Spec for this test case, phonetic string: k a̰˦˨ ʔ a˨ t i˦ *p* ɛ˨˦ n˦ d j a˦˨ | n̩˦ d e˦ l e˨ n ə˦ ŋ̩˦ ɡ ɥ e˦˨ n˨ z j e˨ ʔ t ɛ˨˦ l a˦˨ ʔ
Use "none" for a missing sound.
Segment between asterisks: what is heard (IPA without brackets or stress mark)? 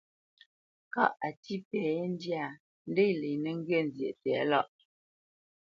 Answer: p